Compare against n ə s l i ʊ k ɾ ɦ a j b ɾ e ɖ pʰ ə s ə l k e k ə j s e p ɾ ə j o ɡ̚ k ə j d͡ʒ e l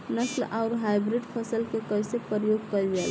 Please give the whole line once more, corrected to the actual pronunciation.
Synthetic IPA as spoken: n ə s l a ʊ ɾ ɦ a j b ɾ i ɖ pʰ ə s ə l k e k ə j s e p ɾ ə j o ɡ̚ k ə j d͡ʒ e l